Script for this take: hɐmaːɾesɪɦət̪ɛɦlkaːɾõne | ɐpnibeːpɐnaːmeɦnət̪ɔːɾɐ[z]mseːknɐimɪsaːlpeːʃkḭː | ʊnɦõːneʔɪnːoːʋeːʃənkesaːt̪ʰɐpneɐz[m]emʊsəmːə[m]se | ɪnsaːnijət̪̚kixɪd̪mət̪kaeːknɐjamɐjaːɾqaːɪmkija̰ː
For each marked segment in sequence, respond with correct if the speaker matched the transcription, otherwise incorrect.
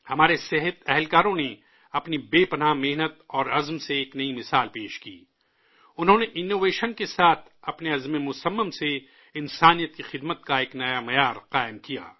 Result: correct, correct, correct

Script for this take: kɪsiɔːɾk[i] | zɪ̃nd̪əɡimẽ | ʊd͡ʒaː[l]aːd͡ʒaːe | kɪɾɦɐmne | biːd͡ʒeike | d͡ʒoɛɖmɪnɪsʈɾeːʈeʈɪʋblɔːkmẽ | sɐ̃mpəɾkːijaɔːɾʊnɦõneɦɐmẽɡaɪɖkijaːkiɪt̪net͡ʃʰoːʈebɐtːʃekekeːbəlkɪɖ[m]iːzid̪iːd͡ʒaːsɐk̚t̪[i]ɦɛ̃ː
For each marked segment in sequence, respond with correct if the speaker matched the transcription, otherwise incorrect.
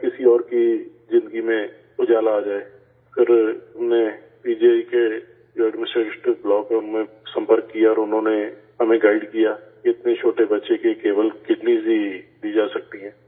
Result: correct, correct, incorrect: n, correct

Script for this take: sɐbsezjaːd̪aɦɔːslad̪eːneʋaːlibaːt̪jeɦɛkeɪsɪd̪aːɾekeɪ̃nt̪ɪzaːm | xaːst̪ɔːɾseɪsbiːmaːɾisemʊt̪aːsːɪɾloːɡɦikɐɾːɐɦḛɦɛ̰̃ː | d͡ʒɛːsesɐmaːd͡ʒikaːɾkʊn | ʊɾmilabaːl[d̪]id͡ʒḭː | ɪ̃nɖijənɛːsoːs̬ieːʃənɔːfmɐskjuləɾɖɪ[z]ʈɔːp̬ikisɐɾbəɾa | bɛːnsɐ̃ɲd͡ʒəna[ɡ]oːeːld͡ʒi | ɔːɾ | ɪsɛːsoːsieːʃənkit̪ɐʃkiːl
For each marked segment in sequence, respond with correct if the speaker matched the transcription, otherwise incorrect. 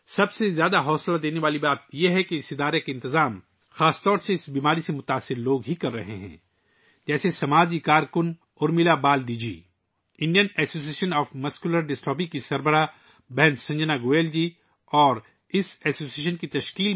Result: correct, incorrect: s, correct

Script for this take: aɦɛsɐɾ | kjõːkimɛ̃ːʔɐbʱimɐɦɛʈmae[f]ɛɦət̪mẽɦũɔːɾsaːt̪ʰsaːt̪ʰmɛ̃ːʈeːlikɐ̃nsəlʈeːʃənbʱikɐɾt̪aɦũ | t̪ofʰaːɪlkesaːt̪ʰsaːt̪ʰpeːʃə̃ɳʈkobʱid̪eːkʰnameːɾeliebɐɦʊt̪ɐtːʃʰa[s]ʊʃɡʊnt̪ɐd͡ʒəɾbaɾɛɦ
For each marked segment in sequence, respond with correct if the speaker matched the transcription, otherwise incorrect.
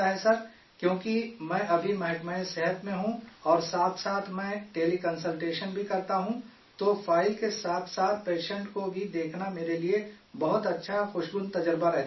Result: incorrect: s, incorrect: x

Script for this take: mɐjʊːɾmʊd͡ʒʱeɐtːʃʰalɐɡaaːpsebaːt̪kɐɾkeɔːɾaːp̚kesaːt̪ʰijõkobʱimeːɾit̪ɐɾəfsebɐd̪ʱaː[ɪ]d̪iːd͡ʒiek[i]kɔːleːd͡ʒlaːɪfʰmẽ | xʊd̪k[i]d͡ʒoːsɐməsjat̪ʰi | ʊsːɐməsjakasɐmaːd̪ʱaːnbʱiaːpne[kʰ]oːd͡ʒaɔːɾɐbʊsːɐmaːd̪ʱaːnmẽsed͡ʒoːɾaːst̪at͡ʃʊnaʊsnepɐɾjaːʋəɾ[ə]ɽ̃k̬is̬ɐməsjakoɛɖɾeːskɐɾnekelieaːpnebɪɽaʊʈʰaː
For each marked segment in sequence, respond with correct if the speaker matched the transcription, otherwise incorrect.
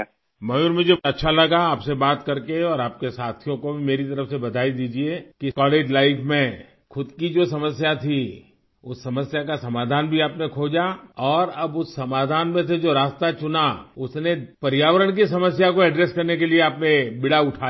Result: incorrect: i, correct, correct, correct, correct

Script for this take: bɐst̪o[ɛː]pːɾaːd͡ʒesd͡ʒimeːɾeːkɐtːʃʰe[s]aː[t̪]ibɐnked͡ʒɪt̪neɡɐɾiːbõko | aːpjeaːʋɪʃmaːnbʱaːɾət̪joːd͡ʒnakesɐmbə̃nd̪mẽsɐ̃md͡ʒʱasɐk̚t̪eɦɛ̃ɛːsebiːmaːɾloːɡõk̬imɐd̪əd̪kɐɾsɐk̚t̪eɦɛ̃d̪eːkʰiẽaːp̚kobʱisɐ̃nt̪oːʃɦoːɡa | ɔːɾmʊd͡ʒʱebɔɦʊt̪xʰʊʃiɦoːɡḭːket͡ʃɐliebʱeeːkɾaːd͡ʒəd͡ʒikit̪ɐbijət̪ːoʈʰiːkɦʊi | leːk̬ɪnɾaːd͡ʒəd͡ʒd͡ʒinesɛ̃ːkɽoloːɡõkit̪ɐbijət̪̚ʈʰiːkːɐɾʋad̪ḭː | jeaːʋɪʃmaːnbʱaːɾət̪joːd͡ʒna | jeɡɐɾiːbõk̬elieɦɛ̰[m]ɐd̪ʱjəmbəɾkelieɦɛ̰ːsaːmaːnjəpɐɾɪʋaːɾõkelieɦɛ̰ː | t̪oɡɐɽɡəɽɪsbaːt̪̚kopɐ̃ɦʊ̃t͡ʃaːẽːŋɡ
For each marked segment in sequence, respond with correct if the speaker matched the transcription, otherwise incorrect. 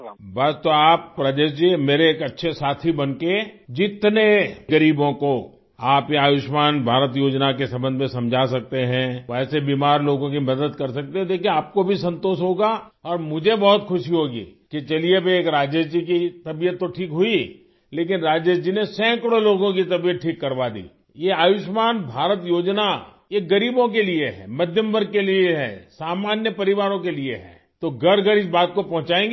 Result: incorrect: aː, correct, incorrect: t̪ʰ, correct

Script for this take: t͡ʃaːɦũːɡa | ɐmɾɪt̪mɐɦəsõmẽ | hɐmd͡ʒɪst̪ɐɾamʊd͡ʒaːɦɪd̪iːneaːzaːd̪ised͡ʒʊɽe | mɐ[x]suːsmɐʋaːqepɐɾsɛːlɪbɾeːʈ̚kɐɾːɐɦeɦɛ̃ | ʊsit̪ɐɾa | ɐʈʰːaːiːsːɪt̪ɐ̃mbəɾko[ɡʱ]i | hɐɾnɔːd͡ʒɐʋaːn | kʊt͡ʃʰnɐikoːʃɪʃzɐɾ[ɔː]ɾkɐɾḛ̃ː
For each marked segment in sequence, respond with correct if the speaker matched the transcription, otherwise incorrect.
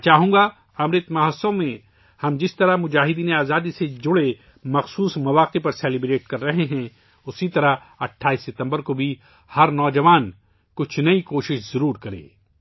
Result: correct, incorrect: bʱ, incorrect: uː

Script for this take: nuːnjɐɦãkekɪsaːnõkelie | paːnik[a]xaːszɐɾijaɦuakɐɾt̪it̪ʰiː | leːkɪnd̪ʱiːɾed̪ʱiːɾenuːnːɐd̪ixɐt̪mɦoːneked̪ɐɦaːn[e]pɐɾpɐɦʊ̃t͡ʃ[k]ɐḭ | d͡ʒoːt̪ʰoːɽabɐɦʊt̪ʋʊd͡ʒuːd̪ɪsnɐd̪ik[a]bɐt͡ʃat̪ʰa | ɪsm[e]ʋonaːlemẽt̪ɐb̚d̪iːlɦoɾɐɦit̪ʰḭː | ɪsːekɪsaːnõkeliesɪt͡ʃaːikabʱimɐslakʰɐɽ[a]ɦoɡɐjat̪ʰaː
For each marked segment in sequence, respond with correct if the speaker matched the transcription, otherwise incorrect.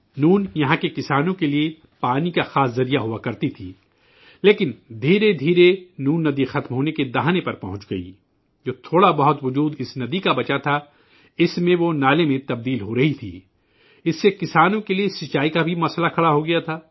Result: correct, correct, incorrect: ɡ, correct, incorrect: ẽ, correct

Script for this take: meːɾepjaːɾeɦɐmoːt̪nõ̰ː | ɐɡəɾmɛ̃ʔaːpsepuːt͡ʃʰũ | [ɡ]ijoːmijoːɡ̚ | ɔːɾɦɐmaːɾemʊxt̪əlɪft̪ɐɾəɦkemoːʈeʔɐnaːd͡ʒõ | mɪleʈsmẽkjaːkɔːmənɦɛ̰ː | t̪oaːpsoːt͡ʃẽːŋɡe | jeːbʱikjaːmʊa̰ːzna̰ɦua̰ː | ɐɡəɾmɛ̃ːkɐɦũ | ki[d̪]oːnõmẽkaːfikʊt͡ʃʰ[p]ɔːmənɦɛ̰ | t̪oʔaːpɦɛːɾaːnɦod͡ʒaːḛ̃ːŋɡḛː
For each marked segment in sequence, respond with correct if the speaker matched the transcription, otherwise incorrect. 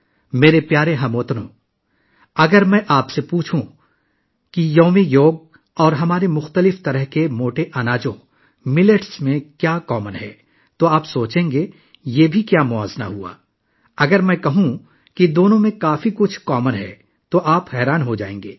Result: incorrect: k, correct, incorrect: k

